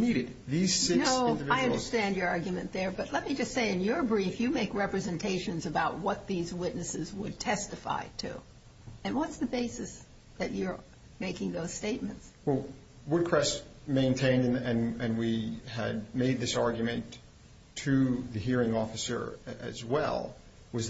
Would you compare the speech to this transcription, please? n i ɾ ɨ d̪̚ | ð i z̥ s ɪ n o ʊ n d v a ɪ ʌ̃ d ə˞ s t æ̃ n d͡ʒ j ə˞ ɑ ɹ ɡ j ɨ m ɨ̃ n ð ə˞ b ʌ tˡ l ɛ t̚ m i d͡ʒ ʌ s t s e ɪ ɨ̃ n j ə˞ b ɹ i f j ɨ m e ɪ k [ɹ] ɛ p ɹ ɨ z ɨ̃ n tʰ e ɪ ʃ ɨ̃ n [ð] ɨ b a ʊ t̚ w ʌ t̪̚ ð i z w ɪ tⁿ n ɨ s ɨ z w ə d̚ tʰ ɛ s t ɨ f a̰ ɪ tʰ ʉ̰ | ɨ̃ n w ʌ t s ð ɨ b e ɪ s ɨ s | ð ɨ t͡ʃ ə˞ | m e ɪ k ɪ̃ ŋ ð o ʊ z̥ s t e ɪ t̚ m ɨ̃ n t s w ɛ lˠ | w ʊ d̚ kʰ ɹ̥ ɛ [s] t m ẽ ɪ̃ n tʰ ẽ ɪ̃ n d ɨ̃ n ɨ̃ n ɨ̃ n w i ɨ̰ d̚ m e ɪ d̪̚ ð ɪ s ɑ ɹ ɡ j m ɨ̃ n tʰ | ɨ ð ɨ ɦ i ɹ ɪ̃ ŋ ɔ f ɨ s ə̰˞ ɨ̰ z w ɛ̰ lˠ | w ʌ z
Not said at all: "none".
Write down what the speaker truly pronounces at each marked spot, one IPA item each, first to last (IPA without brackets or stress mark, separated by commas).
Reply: ɹ, z, s